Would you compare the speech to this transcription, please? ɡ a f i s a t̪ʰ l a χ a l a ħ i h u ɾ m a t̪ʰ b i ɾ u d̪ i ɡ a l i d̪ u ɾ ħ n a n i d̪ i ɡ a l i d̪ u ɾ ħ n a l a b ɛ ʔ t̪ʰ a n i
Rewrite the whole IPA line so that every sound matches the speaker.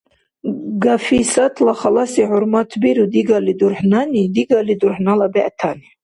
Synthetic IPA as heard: ɡ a f i s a t̪ʰ l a χ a l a s i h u ɾ m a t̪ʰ b i ɾ u d̪ i ɡ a l i d̪ u ɾ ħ n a n i d̪ i ɡ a l i d̪ u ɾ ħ n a l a b ɛ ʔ t̪ʰ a n i